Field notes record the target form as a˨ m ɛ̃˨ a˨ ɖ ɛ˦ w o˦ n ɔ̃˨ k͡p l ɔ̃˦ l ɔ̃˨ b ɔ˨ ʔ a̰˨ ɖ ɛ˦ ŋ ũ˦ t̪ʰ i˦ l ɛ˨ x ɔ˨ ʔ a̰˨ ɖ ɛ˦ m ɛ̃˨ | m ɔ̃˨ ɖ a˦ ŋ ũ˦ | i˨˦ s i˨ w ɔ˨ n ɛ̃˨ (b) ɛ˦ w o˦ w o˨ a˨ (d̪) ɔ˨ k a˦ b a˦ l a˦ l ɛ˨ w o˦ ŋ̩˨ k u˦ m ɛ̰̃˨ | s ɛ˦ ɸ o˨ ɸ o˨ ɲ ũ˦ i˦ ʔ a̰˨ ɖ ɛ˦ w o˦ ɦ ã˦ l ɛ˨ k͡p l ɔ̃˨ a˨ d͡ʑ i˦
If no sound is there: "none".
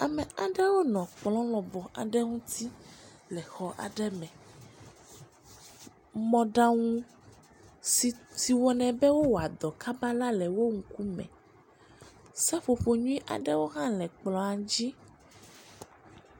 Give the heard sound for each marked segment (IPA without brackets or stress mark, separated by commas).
b, d̪